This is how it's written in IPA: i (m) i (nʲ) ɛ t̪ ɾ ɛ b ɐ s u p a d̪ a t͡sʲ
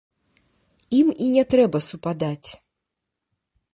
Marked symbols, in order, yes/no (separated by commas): yes, yes